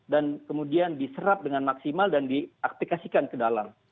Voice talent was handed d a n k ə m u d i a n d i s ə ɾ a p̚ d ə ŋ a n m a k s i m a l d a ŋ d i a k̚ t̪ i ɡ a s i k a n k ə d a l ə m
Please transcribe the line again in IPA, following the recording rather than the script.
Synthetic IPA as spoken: d a n k ə m u d i a n d i s ə ɾ a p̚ d ə ŋ a n m a k s i m a l d a n d i a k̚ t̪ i k a s i k a n k ə d a l a m